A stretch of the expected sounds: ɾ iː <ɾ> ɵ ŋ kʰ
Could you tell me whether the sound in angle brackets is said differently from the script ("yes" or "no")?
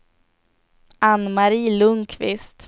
yes